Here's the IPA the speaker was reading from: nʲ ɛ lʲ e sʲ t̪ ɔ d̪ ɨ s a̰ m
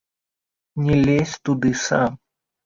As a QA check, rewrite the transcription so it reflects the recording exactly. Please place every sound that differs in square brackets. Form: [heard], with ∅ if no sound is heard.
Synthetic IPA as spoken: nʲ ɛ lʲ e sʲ t̪ [u] d̪ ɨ s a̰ m